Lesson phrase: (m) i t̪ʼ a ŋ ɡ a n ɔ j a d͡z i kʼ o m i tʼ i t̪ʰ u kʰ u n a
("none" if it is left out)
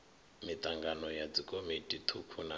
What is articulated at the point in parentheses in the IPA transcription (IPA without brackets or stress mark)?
m